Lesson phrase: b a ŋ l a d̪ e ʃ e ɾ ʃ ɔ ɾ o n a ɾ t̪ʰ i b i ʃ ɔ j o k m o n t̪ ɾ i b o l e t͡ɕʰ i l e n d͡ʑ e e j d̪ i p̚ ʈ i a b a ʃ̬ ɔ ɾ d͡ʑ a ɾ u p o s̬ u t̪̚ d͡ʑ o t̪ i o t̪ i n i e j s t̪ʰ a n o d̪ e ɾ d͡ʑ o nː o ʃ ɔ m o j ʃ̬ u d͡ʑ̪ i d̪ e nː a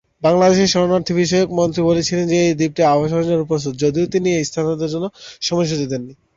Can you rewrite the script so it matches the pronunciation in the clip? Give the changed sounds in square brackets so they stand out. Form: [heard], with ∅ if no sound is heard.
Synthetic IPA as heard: b a ŋ l a d̪ e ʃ e ɾ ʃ ɔ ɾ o n a ɾ t̪ʰ i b i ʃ ɔ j o k m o n t̪ ɾ i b o l e t͡ɕʰ i l e n d͡ʑ e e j d̪ i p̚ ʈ i a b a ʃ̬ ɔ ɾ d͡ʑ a ɾ u p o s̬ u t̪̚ d͡ʑ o [d̪] i o t̪ i n i e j s t̪ʰ a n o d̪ e ɾ d͡ʑ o nː o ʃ ɔ m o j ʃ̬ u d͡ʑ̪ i d̪ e nː [i]